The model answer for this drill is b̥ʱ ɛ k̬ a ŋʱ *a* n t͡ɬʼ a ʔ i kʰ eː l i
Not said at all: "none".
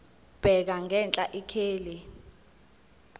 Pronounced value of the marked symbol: ɛ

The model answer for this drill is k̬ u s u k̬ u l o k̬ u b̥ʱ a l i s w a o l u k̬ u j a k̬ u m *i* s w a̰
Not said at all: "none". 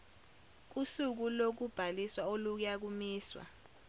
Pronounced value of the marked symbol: iː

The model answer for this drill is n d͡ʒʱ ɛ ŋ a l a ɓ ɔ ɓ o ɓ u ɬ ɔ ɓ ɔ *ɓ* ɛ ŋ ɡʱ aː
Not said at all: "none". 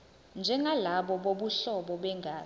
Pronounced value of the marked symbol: ɓ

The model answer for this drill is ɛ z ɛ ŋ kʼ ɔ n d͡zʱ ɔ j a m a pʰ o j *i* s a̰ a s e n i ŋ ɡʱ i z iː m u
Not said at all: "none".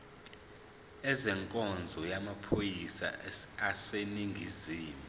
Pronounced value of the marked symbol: i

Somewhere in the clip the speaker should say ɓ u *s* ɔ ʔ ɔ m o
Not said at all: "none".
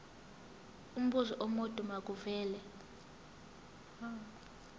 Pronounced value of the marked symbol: z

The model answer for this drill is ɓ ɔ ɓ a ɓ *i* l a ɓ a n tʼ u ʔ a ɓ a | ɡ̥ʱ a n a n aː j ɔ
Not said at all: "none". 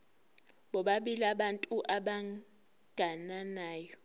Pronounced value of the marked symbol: i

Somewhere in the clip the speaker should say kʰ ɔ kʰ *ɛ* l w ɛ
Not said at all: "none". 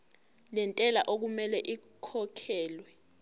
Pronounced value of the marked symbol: ɛː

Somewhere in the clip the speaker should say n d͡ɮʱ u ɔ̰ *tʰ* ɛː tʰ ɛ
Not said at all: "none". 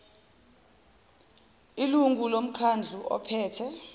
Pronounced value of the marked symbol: pʰ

